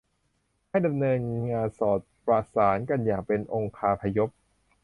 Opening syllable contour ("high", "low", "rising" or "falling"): falling